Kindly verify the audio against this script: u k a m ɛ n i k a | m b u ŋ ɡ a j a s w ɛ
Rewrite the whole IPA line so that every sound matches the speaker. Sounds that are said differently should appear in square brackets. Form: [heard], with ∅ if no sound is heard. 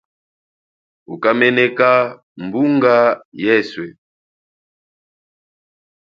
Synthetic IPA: u k a m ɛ n [ɛ] k a | m b u ŋ ɡ a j [ɛ] s w ɛ